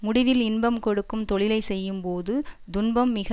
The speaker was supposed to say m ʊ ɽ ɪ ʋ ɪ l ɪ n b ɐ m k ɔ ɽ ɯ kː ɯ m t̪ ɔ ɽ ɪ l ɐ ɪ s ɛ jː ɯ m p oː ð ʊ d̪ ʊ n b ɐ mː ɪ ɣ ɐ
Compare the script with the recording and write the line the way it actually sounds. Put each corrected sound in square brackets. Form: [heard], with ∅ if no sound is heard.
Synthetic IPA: m ʊ ɽ ɪ ʋ ɪ l ɪ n b ɐ m k ɔ ɽ ɯ kː ɯ m t̪ ɔ [ɭ] ɪ l ɐ ɪ s ɛ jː ɯ m p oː ð [ɯ] d̪ ʊ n b ɐ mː ɪ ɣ ɐ